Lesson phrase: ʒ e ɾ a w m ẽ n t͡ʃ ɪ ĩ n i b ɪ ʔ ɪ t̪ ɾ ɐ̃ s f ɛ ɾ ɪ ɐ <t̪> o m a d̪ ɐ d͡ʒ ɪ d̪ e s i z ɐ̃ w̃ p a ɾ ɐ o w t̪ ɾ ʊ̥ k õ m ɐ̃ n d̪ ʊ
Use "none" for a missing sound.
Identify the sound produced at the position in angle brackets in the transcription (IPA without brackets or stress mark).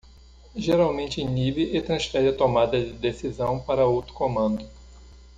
t̪